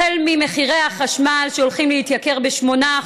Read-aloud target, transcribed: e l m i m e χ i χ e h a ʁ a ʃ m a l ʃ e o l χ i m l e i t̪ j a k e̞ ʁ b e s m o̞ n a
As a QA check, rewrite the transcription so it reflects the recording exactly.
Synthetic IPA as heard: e l m i m e χ i ʁ e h a χ a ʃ m a l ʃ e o l χ i m l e i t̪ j a k e̞ ʁ b e ʃ m o̞ n a